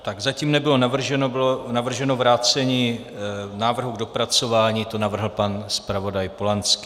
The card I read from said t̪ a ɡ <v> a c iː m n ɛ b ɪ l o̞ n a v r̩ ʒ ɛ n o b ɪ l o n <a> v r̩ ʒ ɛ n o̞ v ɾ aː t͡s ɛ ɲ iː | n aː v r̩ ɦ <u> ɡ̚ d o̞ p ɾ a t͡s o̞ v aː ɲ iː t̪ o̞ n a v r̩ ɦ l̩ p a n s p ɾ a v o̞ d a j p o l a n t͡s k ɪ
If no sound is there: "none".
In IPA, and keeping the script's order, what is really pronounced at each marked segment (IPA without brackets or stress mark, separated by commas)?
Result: z, a, u